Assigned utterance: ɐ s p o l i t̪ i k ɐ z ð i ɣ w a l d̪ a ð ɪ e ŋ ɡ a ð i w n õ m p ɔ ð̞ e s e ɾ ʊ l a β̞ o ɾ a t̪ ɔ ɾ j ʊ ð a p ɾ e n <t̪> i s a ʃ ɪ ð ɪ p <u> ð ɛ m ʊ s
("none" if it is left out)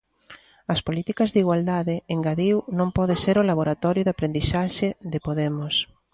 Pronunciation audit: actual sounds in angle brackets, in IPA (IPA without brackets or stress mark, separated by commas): d̪, o